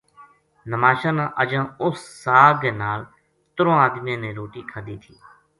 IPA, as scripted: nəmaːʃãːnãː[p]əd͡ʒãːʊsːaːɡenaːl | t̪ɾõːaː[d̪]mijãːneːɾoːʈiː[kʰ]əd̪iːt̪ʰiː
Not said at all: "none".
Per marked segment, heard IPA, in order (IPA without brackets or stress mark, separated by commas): ʔ, d̪, kʰ